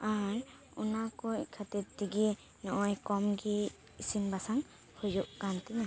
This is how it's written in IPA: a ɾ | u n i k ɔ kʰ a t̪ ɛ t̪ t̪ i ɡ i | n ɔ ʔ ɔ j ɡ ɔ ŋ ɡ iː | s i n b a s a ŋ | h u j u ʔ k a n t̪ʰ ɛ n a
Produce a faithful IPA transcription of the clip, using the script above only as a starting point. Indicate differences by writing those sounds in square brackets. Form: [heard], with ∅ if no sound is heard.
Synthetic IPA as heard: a ɾ | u n [a] k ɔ kʰ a t̪ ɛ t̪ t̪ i ɡ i | n ɔ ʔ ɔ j [k] ɔ [m] ɡ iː | s i n b a s a ŋ | h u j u ʔ k a n [t̪] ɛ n a